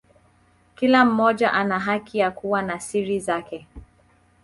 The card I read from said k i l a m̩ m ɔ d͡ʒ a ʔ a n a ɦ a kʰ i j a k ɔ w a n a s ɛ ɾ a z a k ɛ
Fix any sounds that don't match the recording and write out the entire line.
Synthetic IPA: k i l a m̩ m ɔ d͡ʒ a ʔ a n a ɦ a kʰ i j a k u w a n a s i ɾ i z a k ɛ